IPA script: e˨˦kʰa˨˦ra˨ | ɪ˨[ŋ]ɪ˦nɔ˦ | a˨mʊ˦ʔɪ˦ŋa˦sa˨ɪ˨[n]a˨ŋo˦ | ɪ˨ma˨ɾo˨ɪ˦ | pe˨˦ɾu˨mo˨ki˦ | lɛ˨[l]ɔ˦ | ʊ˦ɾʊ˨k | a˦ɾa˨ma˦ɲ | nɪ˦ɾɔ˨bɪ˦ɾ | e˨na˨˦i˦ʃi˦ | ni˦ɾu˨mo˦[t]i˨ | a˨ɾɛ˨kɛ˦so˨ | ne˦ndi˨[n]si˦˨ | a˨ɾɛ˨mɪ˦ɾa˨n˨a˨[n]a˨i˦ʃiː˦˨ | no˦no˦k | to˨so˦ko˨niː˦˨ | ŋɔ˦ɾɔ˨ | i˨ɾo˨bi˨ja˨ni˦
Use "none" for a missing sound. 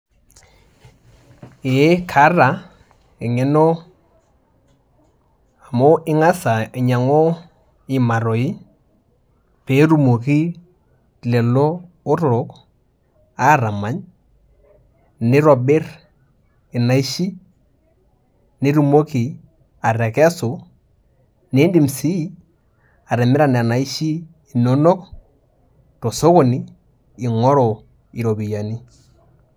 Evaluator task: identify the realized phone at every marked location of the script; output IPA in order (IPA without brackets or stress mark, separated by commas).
ŋ, ɲ, l, k, m, n